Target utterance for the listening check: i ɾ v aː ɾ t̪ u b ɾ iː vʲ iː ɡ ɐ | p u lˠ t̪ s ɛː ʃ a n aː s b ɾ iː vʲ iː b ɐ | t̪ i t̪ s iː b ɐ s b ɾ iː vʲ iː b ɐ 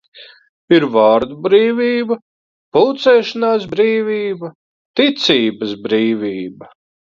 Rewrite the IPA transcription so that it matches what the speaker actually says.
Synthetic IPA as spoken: i ɾ v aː ɾ d̪ u b ɾ iː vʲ iː b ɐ | p u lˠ t̪ s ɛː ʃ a n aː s b ɾ iː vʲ iː b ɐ | t̪ i t̪ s iː b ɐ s b ɾ iː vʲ iː b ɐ